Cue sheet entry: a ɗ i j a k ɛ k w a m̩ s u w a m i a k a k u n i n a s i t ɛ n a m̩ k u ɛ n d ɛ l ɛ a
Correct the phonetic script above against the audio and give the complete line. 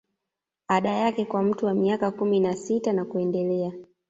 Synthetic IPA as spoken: a ɗ a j a k ɛ k w a m̩ t u w a m i a k a k u m i n a s i t a n a k u ɛ n d ɛ l ɛ a